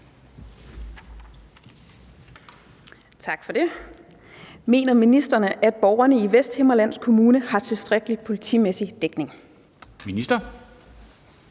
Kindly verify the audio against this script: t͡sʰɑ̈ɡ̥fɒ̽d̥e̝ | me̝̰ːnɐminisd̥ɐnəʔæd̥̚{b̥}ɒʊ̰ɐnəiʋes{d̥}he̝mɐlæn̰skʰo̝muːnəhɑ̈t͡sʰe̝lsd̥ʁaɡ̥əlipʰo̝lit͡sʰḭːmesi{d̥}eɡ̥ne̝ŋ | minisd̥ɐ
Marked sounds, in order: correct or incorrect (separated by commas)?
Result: correct, correct, correct